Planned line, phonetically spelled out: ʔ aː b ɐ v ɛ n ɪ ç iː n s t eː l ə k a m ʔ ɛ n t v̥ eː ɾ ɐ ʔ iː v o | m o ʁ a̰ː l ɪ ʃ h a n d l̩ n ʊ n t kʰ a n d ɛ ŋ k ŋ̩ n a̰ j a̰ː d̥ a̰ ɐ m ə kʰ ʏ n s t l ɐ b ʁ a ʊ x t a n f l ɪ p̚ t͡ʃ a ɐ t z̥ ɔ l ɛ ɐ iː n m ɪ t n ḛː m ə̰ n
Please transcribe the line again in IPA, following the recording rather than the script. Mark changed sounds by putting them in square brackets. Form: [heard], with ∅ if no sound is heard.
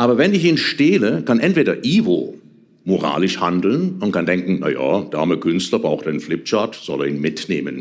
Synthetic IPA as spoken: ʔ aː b ɐ v ɛ n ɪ ç iː n [ʃ] t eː l ə k a [n] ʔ ɛ n t v̥ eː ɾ ɐ ʔ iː v o | m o ʁ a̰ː l ɪ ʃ h a n d l̩ n ʊ n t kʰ a n d ɛ ŋ k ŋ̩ n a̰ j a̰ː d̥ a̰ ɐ m ə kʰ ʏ n s t l ɐ b ʁ a ʊ x t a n f l ɪ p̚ t͡ʃ a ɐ t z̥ ɔ l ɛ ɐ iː n m ɪ t n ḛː m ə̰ n